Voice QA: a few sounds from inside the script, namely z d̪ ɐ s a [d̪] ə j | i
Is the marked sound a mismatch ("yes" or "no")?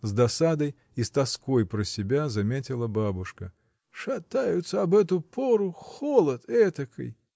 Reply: no